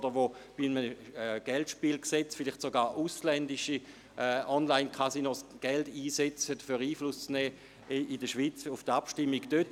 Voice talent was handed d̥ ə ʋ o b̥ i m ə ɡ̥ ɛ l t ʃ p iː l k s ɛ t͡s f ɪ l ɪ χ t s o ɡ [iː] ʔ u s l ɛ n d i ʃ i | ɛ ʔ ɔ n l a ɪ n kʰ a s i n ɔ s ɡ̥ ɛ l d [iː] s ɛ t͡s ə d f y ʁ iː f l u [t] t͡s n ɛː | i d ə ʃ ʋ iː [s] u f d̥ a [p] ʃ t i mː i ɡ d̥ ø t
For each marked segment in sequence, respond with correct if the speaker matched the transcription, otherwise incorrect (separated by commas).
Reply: incorrect, correct, incorrect, incorrect, correct